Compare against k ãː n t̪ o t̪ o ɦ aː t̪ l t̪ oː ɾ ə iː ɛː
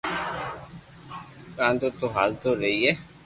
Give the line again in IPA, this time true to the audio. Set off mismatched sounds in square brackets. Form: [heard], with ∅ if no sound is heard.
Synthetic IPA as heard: k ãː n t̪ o t̪ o ɦ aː [∅] l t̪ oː ɾ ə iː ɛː

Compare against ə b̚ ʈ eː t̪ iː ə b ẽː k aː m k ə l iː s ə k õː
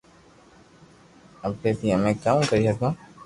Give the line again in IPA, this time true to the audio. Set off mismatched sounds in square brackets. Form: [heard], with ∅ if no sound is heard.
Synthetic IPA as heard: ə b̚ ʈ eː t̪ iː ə [m] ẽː k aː m k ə [ɾ] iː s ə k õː

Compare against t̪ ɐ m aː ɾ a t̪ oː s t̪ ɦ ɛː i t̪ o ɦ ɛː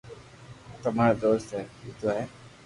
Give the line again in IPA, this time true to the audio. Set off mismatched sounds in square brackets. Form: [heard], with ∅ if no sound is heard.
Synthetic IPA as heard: t̪ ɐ m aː ɾ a [d̪] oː s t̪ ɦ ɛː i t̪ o ɦ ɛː

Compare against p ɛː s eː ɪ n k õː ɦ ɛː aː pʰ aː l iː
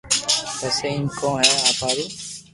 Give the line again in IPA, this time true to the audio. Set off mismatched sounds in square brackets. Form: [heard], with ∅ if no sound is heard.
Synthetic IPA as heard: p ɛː s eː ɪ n k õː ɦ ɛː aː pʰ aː [ɾ] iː

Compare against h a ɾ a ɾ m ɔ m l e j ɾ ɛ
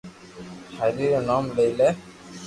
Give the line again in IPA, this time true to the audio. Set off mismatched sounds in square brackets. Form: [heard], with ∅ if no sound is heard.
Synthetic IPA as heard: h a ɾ [i] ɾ [n] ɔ m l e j [l] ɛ

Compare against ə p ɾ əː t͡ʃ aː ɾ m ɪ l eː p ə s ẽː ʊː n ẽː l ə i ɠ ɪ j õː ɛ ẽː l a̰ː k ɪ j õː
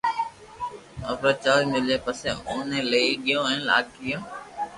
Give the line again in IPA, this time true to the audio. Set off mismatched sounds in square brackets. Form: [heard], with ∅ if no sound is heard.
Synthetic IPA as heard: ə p ɾ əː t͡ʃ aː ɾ m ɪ l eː p ə s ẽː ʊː n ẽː l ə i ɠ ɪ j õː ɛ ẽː l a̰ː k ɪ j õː

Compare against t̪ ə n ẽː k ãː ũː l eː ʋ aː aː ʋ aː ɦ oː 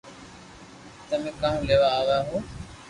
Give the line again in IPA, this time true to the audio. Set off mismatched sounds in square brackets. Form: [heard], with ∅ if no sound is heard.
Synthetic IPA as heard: t̪ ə [m] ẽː k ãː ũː l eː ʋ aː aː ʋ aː ɦ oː

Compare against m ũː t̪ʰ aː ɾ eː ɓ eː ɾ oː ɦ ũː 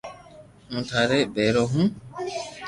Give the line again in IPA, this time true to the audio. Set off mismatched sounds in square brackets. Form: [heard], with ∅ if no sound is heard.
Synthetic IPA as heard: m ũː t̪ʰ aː ɾ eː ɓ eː ɾ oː ɦ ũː

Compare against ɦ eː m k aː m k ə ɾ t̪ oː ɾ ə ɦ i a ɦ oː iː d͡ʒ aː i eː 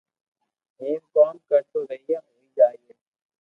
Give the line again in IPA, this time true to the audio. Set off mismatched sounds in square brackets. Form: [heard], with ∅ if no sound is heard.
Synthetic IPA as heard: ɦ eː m k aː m k ə ɾ t̪ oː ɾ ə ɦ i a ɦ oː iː d͡ʒ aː i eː

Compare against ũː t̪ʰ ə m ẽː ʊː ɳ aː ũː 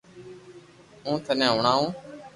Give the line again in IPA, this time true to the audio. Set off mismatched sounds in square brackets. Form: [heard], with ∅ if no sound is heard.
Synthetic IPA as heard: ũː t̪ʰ ə [n] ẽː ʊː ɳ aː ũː

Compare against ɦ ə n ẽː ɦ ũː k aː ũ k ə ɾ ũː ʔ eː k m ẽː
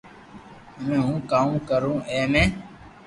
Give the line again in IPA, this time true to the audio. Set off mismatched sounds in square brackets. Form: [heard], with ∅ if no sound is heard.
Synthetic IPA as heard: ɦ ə [m] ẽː ɦ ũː k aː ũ k ə ɾ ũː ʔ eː [∅] m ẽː

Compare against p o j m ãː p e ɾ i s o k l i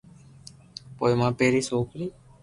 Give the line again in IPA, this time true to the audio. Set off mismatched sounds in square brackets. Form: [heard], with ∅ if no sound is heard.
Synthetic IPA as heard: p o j m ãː p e ɾ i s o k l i

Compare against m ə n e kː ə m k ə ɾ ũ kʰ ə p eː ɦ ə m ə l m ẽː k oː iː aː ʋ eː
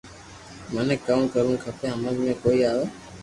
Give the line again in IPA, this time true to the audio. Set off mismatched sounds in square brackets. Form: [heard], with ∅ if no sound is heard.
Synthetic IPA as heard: m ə n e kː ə m k ə ɾ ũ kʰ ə p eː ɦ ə m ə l m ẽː k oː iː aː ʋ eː

